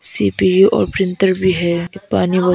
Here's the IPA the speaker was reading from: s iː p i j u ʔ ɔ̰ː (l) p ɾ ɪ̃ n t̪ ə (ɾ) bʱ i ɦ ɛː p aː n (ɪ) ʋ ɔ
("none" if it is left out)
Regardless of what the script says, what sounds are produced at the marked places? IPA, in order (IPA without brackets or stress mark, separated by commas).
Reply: ɾ, ɾ, i